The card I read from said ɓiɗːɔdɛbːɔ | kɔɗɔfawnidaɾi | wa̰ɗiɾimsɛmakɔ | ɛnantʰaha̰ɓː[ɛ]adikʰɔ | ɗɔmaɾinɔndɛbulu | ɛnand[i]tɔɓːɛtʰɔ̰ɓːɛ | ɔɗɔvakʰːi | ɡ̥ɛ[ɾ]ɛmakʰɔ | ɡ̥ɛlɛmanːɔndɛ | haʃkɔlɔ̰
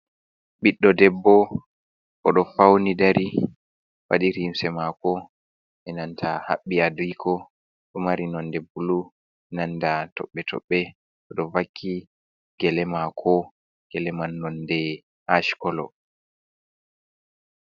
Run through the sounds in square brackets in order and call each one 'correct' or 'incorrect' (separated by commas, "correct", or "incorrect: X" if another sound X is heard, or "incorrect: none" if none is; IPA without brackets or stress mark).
incorrect: i, incorrect: a, incorrect: l